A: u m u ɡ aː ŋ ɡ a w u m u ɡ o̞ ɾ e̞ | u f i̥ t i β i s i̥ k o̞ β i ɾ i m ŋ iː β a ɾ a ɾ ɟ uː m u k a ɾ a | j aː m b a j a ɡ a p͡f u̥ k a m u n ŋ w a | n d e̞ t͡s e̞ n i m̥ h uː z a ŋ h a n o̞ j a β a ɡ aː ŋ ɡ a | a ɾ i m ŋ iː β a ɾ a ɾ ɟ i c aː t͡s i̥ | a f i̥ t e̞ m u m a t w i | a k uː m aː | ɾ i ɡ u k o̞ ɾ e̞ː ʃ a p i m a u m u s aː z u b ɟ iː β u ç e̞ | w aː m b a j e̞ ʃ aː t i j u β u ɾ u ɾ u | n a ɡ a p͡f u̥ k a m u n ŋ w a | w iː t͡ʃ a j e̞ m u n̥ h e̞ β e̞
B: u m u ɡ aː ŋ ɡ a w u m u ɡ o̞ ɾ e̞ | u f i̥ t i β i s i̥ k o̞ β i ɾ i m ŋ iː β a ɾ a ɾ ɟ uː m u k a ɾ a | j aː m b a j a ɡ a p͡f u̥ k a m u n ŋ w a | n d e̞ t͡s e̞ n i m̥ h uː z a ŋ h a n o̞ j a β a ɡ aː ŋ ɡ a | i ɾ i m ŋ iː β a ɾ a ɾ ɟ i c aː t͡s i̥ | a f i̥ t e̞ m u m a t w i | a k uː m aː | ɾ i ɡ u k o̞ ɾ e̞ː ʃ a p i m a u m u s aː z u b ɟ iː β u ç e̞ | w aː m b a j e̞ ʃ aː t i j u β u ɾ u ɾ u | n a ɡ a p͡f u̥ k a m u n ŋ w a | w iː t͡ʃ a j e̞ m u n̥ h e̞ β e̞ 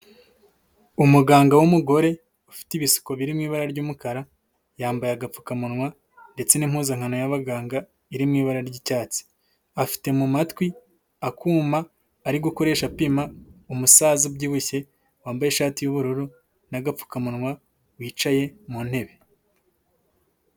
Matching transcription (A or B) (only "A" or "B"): B